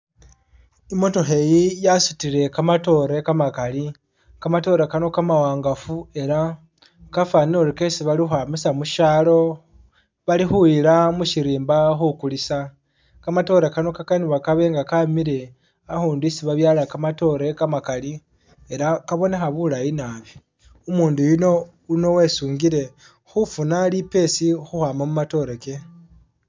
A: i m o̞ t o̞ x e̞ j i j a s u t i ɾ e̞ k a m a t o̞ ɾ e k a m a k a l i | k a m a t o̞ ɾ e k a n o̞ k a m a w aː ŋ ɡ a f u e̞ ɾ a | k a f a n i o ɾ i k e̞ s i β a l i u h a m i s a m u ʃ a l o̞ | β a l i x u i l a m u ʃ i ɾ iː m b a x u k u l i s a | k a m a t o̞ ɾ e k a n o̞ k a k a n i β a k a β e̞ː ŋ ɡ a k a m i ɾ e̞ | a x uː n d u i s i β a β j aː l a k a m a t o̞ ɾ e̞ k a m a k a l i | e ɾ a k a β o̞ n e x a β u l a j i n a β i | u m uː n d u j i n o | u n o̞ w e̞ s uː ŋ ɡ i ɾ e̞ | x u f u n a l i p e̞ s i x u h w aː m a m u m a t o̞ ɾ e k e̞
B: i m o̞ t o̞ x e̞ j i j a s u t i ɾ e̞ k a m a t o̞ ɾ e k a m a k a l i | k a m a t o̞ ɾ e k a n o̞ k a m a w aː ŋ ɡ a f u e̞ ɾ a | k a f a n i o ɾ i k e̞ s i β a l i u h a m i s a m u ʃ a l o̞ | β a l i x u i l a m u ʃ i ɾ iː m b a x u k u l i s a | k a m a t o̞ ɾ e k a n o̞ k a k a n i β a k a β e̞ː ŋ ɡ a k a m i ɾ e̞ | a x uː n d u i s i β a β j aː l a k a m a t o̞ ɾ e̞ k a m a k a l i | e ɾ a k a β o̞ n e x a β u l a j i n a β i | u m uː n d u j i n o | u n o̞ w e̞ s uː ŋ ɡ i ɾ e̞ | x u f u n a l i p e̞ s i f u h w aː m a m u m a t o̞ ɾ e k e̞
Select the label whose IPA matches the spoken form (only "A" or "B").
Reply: A